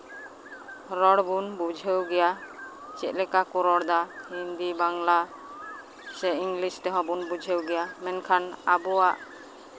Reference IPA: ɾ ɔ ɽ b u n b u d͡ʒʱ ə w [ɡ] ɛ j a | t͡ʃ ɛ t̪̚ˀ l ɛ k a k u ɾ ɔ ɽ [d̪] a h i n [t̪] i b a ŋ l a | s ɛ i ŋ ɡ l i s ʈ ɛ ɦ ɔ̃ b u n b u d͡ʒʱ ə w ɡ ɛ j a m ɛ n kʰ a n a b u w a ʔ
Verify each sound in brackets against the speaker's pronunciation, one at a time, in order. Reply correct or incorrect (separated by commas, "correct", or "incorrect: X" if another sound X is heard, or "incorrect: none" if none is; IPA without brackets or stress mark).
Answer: correct, correct, incorrect: d̪